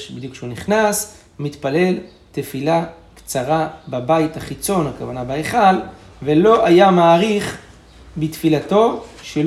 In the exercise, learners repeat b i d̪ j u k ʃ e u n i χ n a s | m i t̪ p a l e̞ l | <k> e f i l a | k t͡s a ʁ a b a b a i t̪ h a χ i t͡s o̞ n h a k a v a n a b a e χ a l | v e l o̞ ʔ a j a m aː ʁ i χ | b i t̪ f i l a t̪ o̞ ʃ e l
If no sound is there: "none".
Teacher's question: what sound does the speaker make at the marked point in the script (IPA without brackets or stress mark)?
t